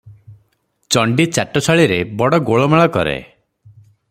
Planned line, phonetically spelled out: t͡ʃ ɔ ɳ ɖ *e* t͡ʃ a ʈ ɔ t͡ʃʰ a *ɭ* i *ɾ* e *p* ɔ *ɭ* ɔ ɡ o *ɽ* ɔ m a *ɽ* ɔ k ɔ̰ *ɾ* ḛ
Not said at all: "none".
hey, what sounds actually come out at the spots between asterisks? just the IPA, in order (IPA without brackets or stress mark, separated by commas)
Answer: i, ɭ, ɾ, b, ɽ, ɭ, ɭ, ɾ